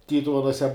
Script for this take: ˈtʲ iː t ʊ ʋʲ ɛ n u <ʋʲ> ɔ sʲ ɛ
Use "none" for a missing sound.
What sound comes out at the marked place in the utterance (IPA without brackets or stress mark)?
none